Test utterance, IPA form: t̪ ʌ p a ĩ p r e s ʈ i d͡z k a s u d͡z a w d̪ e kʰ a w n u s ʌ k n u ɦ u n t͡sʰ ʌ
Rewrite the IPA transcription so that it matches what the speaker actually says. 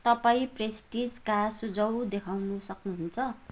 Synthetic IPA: t̪ ʌ p a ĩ p r e s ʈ i d͡z k a s u d͡z ʌ w d̪ e kʰ a w n u s ʌ k n u ɦ u n t͡sʰ ʌ